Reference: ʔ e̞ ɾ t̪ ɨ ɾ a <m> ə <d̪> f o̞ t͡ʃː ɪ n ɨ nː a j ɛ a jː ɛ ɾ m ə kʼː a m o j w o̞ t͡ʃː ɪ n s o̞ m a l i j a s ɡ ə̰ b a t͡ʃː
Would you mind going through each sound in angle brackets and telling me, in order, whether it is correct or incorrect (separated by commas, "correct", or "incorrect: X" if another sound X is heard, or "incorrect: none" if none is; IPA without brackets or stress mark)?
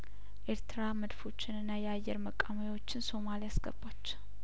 correct, correct